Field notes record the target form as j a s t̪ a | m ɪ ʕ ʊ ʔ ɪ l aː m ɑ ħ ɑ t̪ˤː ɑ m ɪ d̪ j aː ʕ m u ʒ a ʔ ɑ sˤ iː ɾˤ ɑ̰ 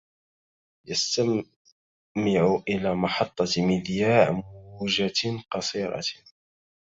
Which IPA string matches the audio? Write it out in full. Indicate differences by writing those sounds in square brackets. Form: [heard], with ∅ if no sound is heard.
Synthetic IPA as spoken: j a s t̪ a | m ɪ ʕ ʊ ʔ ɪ l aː m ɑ ħ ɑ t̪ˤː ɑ m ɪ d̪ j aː ʕ m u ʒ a [q] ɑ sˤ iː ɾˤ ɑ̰